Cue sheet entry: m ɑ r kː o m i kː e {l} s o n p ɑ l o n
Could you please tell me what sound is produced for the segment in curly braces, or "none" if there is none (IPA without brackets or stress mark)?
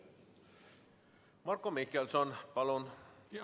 l